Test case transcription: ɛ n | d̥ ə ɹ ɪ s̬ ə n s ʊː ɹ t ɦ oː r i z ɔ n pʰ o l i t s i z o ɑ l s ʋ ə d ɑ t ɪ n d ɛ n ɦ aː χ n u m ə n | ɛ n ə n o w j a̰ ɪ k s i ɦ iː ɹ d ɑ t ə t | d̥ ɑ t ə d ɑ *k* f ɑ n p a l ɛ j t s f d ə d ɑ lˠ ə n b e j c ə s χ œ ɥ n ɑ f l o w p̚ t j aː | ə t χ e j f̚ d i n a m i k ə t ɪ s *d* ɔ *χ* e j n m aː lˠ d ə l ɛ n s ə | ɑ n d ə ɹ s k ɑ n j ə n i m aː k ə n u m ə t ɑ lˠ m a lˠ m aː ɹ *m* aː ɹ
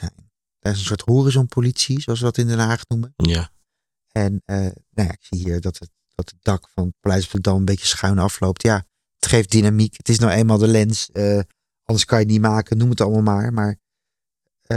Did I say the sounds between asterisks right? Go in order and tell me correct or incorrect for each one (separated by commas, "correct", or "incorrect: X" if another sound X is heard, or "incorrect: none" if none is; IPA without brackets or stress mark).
correct, incorrect: n, correct, correct